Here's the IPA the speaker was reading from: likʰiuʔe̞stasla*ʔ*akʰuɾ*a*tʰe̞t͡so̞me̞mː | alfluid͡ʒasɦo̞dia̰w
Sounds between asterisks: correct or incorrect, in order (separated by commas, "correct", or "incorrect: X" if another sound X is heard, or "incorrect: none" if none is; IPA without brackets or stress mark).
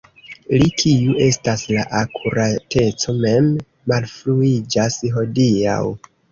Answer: correct, correct